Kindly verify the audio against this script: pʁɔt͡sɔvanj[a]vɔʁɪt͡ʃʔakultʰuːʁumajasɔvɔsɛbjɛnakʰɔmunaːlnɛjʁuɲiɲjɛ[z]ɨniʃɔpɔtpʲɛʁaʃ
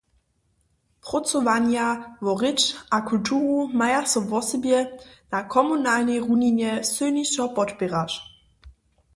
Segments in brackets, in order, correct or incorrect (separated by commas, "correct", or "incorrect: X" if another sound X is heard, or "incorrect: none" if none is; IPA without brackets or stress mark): correct, incorrect: s